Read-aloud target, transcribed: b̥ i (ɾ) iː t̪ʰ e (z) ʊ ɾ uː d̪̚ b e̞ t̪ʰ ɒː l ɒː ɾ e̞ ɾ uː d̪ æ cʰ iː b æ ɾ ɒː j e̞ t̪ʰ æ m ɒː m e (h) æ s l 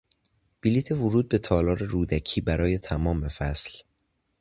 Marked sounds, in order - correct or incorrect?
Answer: incorrect: l, incorrect: v, incorrect: f

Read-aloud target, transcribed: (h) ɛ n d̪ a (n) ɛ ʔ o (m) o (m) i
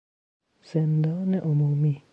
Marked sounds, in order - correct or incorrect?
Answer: incorrect: s, correct, correct, correct

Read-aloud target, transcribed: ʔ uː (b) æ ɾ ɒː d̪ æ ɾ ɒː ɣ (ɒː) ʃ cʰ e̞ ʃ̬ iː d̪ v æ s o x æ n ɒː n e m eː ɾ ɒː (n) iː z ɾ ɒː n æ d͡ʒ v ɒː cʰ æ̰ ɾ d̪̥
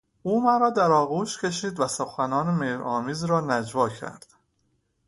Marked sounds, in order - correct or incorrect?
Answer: incorrect: m, incorrect: uː, incorrect: m

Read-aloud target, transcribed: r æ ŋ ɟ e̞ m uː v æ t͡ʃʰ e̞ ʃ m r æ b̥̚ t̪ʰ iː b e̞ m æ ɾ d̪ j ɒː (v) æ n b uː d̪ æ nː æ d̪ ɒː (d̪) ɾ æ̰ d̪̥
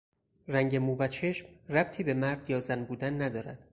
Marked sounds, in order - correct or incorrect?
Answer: incorrect: z, incorrect: none

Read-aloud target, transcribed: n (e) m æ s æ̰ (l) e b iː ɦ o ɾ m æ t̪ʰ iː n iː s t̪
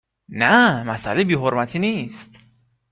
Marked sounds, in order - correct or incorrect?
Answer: incorrect: æ, correct

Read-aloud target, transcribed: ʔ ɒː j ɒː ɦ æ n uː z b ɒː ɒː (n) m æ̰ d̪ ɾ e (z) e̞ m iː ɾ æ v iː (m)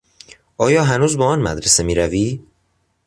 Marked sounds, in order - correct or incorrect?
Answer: correct, incorrect: s, incorrect: none

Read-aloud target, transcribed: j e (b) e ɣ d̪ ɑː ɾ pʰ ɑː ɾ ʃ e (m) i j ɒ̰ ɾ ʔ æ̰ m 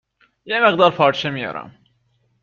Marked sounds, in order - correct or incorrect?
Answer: incorrect: m, correct

